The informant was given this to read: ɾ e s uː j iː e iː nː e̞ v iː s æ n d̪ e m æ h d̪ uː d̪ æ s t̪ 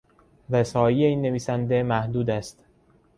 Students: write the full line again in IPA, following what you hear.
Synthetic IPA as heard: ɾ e s ɒː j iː e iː nː e̞ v iː s æ n d̪ e m æ h d̪ uː d̪ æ s t̪